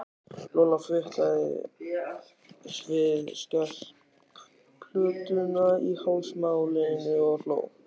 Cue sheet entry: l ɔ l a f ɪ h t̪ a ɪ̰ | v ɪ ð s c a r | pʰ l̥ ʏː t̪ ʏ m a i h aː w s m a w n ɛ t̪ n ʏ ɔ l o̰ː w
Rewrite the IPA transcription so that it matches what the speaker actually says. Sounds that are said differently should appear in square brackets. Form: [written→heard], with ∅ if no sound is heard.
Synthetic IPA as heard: l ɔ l a f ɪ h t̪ a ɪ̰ | v ɪ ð s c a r | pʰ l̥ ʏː t̪ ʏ [m→n] a i h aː w s m a w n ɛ [t̪→∅] n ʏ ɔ l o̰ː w